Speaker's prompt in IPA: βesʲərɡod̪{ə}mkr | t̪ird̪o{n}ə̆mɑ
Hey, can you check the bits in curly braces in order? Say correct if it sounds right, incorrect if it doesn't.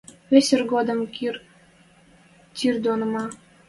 correct, correct

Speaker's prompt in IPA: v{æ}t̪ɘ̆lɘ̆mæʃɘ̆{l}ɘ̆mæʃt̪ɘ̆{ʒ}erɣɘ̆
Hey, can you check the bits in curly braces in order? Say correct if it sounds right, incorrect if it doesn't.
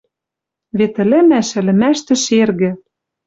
incorrect: e, correct, incorrect: ʃ

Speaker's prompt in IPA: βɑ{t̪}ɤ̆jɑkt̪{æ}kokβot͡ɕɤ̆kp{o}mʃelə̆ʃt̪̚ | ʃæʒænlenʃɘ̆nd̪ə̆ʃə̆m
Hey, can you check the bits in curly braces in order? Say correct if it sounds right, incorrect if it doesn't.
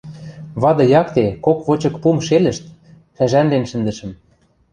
incorrect: d̪, incorrect: e, incorrect: u

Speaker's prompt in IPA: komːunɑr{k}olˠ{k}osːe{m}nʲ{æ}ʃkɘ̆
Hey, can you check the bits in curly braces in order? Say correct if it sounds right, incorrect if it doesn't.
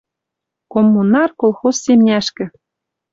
correct, incorrect: x, correct, correct

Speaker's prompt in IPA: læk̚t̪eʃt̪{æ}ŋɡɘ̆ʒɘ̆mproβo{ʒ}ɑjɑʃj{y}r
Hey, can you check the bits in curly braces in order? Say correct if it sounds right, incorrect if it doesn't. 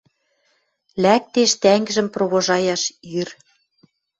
correct, correct, correct

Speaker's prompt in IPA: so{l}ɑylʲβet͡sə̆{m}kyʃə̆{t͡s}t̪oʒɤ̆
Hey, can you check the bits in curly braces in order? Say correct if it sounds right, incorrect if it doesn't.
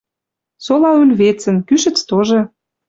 correct, incorrect: n, correct

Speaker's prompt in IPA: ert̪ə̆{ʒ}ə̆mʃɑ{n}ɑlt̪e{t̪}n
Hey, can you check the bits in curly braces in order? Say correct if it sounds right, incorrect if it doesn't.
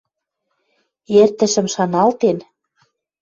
incorrect: ʃ, correct, incorrect: none

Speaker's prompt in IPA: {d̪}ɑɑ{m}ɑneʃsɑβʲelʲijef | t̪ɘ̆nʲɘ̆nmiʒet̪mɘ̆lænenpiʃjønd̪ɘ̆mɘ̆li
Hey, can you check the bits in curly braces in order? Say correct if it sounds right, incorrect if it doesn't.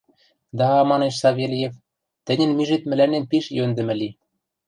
correct, correct

